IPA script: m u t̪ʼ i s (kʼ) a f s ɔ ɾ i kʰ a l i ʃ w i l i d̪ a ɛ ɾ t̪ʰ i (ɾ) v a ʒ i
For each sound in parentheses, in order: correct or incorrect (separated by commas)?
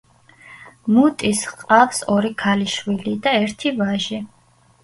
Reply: incorrect, incorrect